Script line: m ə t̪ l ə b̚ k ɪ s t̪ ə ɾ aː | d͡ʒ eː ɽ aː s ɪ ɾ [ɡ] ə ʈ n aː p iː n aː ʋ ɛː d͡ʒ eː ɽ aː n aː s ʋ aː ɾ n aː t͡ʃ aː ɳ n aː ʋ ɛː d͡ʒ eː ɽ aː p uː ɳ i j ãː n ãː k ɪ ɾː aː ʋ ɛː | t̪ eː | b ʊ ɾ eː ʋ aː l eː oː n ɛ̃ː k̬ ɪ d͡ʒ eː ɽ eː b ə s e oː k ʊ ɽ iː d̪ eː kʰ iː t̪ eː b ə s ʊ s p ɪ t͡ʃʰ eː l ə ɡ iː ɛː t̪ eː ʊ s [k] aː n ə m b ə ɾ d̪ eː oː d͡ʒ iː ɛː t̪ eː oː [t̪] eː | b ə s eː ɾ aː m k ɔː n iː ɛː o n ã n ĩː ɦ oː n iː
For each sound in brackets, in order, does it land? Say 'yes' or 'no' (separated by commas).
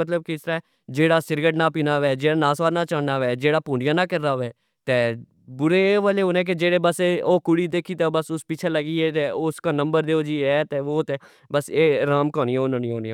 yes, yes, yes